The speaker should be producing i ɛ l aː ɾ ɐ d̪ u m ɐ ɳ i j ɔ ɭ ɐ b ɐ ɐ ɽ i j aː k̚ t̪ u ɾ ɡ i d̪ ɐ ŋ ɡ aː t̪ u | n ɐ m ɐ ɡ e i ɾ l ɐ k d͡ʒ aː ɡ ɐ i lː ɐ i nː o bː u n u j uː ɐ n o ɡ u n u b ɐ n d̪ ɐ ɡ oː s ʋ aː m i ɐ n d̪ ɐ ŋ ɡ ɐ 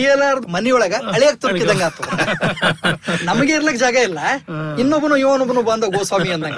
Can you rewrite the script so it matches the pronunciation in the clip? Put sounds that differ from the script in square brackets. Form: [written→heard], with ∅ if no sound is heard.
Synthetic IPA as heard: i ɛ l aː ɾ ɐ d̪ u m ɐ [ɳ→n] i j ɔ ɭ ɐ [b→ɡ] ɐ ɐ [ɽ→ɭ] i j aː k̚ t̪ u ɾ [ɡ→k] i d̪ ɐ ŋ ɡ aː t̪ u | n ɐ m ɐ ɡ e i ɾ l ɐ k d͡ʒ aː ɡ ɐ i lː ɐ i nː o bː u n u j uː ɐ n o [ɡ→b] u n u b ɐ n d̪ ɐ ɡ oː s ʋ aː m i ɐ n d̪ ɐ ŋ ɡ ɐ